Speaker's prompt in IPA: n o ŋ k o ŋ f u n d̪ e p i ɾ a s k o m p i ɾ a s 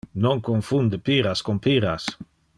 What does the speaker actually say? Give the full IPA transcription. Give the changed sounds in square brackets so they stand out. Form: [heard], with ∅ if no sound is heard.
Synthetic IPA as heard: n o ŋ k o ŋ f u n d̪ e p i ɾ a s k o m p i ɾ a s